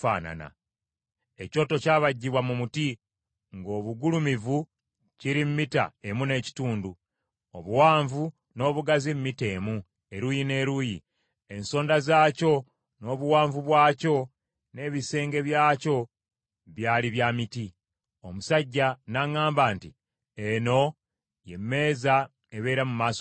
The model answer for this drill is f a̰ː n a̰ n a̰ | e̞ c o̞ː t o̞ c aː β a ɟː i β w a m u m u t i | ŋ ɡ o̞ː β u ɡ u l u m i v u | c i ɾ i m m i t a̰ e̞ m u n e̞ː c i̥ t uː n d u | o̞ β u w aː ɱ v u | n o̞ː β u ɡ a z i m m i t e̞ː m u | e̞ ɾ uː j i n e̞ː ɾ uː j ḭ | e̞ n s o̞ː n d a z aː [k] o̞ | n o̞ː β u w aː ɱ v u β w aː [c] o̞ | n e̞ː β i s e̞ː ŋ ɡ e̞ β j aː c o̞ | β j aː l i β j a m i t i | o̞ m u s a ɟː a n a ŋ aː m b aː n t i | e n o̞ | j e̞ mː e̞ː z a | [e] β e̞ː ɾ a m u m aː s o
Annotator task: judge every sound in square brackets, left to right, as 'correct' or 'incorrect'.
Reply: incorrect: c, correct, correct

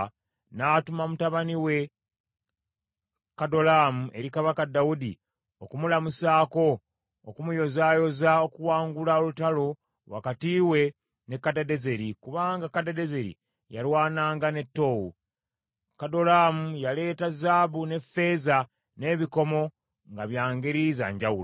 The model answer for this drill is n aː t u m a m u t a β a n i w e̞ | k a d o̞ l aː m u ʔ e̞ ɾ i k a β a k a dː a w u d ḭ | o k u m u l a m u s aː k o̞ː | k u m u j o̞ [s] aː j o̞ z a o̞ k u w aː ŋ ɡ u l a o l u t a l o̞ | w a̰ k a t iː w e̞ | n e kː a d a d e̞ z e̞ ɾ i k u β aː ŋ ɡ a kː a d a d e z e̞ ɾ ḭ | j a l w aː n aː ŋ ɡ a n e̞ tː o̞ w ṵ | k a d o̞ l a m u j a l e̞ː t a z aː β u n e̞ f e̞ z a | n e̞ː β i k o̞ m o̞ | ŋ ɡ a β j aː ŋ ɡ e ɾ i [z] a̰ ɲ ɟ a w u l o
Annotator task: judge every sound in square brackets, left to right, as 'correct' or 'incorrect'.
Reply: incorrect: z, correct

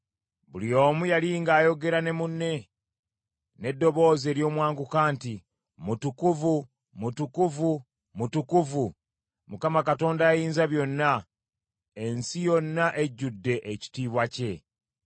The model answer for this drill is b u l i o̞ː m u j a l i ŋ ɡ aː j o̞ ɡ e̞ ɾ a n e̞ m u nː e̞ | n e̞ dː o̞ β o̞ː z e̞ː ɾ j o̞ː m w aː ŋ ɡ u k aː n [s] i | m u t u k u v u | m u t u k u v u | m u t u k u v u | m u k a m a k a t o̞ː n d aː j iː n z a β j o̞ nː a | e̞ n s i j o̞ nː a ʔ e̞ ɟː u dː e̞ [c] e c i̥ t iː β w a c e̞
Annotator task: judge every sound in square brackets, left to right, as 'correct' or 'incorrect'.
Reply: incorrect: t, incorrect: ʔ

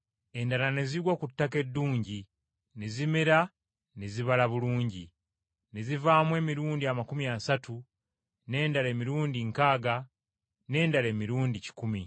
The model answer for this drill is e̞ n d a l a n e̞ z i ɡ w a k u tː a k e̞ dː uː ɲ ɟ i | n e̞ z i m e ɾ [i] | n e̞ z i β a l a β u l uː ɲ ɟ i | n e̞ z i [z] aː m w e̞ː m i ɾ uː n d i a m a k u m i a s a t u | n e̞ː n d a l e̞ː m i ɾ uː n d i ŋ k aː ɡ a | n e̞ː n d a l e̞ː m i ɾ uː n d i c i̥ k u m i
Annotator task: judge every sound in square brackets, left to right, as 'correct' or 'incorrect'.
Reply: incorrect: a, incorrect: v

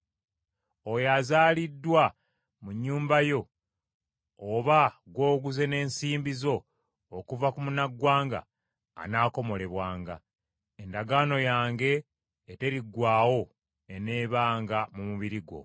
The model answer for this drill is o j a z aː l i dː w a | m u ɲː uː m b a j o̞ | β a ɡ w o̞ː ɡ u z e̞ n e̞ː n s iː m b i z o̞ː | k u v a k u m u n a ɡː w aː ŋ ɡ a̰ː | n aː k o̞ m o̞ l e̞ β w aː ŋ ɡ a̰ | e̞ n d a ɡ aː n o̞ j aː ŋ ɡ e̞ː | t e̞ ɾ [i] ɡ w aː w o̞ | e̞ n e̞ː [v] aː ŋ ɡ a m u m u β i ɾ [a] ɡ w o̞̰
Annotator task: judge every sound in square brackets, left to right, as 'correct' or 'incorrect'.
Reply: correct, incorrect: β, incorrect: i

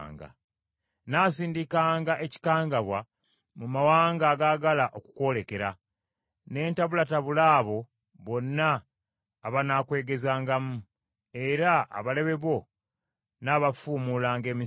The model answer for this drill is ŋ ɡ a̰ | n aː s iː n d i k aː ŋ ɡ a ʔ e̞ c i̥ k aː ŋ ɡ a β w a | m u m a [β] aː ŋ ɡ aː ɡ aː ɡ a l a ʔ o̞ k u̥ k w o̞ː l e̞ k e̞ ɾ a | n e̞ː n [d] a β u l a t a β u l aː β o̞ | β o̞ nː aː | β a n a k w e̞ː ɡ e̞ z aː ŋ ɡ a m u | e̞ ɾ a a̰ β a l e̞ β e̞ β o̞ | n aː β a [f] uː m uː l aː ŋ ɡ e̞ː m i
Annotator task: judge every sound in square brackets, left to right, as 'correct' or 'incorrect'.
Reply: incorrect: w, incorrect: t, correct

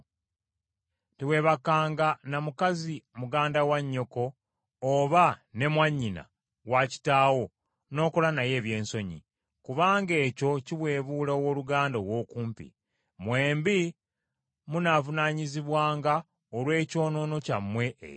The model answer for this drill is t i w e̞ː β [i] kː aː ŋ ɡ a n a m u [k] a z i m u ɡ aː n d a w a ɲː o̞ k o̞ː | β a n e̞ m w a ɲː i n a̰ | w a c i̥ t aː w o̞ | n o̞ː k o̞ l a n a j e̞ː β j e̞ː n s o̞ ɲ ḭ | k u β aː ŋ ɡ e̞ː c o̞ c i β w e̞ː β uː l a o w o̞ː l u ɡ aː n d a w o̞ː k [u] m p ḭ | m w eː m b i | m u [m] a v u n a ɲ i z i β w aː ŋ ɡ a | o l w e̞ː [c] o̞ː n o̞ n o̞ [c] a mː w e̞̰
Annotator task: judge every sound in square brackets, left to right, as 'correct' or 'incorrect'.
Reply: incorrect: a, correct, incorrect: uː, incorrect: n, correct, correct

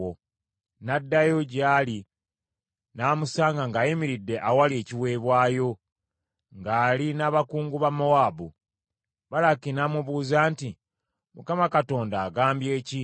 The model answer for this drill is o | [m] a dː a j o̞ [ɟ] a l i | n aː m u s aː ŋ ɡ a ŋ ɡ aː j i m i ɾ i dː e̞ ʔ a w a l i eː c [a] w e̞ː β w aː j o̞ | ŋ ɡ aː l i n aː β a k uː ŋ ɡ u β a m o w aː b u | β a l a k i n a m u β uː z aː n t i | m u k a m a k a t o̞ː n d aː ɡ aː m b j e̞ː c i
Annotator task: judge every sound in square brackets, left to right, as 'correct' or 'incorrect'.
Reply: incorrect: n, correct, incorrect: i

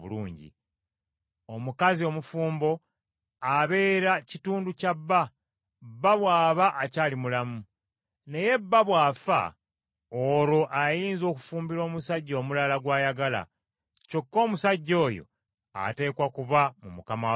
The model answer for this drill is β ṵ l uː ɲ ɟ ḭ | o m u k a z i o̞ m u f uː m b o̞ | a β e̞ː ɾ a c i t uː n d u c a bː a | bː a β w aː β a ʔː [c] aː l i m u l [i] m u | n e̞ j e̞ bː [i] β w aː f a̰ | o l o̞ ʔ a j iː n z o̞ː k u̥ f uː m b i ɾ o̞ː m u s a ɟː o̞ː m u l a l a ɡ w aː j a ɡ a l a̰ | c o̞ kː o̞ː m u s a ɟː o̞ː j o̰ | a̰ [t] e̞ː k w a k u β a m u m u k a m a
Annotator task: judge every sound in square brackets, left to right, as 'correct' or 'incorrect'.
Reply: correct, incorrect: a, incorrect: a, correct

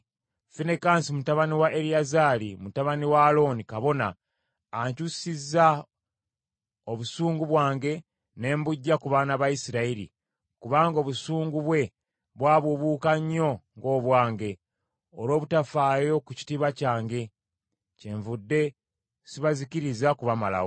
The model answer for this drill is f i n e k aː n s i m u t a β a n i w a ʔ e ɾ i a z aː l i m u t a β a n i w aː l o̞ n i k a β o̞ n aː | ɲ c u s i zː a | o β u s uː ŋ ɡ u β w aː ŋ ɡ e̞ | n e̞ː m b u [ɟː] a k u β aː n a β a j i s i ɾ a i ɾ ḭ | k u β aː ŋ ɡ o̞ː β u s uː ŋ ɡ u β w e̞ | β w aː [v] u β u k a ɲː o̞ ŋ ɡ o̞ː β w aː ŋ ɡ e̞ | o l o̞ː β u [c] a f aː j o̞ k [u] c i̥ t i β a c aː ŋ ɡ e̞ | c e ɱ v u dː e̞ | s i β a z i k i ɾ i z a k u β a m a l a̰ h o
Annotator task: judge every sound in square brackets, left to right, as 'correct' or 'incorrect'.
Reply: correct, incorrect: β, incorrect: t, correct

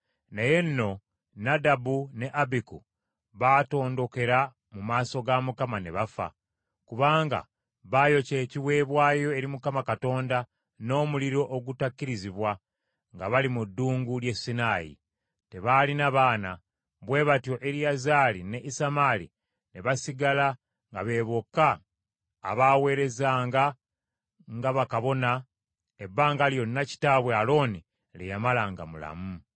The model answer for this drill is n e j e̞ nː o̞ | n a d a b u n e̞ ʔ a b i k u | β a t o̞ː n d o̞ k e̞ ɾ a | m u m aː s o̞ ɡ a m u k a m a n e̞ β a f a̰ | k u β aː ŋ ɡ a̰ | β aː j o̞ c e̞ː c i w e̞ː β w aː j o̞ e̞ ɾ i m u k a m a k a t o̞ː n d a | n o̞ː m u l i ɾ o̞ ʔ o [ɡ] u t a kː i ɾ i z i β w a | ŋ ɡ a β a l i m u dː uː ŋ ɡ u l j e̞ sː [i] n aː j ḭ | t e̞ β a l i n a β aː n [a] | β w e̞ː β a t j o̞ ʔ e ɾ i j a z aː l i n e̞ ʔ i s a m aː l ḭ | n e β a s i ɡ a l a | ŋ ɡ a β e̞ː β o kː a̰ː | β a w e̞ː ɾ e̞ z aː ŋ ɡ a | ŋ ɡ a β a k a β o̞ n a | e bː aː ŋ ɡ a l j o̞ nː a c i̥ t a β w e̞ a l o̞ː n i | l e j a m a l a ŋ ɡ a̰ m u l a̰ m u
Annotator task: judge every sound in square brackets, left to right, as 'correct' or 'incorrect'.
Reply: correct, correct, correct

